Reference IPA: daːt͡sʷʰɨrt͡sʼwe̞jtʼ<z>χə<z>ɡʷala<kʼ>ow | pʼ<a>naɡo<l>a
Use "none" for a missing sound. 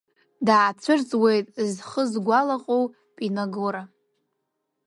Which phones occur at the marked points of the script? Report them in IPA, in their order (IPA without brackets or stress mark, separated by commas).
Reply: z, z, qʼ, i, ɾ